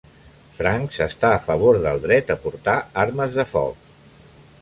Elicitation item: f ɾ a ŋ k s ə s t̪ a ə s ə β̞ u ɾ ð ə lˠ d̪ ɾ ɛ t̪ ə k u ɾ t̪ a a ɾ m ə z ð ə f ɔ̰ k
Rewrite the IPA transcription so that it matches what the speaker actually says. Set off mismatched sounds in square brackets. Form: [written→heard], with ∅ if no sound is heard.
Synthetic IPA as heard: f ɾ a ŋ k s ə s t̪ a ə [s→f] ə β̞ [u→o] ɾ ð ə lˠ d̪ ɾ ɛ t̪ ə [k→p] u ɾ t̪ a a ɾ m ə z ð ə f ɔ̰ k